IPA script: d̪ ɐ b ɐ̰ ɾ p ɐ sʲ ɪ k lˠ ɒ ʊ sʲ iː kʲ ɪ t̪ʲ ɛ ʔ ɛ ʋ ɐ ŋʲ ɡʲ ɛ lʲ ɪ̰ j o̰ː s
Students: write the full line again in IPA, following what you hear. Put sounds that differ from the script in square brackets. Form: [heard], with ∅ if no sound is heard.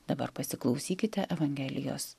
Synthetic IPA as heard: d̪ ɐ b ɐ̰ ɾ p ɐ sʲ ɪ k lˠ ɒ ʊ sʲ iː kʲ ɪ t̪ʲ ɛ ʔ ɛ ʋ ɐ ŋʲ ɡʲ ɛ lʲ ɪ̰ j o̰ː s